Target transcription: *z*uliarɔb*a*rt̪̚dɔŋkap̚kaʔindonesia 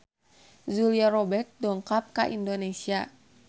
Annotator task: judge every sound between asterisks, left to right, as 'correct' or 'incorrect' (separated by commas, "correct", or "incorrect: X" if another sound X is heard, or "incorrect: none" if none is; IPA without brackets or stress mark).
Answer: correct, incorrect: ɛ